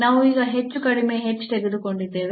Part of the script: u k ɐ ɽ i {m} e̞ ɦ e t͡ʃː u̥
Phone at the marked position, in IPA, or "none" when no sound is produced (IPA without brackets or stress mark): m